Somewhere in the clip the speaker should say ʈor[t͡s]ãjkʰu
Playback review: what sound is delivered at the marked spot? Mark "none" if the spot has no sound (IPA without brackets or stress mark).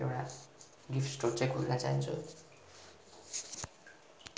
t͡s